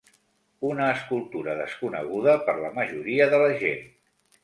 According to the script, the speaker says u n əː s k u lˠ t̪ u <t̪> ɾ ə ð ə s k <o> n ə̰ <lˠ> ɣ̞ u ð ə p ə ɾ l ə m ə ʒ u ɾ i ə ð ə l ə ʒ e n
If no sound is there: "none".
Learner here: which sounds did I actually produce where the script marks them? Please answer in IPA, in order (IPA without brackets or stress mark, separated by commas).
none, u, none